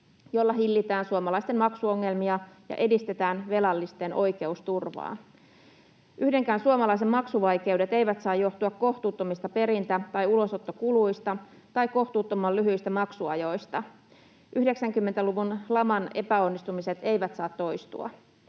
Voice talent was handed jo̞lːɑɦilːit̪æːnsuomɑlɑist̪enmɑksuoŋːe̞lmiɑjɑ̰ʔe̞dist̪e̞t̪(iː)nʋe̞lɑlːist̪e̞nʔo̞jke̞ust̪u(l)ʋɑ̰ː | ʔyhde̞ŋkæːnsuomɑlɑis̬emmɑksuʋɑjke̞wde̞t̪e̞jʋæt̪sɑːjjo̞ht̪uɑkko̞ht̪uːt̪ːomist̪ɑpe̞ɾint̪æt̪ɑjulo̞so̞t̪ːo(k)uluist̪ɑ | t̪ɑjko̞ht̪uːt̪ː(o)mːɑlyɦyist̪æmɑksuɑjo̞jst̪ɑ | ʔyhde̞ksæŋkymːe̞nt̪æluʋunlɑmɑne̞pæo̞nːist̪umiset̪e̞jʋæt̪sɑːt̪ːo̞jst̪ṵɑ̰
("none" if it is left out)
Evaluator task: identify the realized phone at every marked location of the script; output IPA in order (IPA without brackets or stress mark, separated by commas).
æː, r, k, o